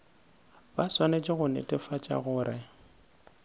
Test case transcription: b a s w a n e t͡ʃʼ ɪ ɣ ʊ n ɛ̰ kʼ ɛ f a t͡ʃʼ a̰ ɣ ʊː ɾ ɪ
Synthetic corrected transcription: b a s w a n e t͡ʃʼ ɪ ɣ ʊ n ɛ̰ tʼ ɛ f a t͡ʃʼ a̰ ɣ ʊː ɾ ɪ

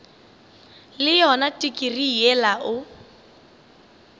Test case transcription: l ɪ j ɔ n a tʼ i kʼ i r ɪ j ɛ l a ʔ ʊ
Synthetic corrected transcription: l ɪ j ɔ n a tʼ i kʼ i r i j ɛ l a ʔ ʊ

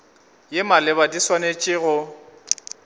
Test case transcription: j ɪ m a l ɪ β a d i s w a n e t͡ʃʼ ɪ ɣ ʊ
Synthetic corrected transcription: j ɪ m a l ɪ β a d i s w a n e t͡ʃʼ ɪ ɣ ʊ

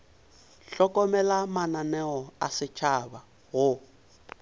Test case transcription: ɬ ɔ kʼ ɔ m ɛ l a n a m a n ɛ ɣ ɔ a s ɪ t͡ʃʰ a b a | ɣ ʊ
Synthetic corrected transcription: ɬ ɔ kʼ ɔ m ɛ l a m a n a n ɛ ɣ ɔ a s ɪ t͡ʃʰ a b a | ɣ ʊ

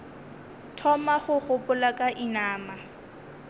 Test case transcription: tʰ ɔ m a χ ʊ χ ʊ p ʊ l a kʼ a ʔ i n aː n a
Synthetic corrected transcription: tʰ ɔ m a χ ʊ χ ʊ p ʊ l a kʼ a ʔ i n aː m a

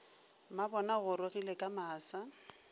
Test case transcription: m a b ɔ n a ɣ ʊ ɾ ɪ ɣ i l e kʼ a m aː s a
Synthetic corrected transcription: m a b ɔ n a ɣ ʊ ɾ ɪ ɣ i l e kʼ a m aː s a

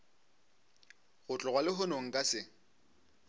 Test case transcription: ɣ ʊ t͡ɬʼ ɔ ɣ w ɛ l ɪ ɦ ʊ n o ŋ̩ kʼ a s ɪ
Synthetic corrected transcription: ɣ ʊ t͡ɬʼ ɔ ɣ w a l ɪ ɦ ʊ n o ŋ̩ kʼ a s ɪ

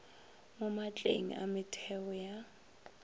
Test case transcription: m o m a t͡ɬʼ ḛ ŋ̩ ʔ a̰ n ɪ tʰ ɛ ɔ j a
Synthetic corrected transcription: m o m a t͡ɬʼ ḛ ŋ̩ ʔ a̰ m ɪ tʰ ɛ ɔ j a

